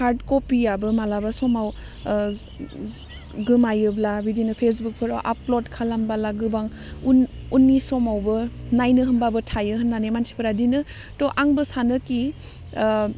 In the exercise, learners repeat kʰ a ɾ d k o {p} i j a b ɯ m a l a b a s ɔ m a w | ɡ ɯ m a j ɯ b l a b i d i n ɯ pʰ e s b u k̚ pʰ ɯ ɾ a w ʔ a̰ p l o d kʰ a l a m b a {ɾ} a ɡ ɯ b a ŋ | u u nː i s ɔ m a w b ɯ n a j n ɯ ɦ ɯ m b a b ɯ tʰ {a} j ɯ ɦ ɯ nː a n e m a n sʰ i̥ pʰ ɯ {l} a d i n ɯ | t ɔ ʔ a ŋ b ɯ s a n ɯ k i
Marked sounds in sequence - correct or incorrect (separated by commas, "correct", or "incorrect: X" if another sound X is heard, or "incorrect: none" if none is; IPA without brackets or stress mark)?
correct, incorrect: l, correct, incorrect: ɾ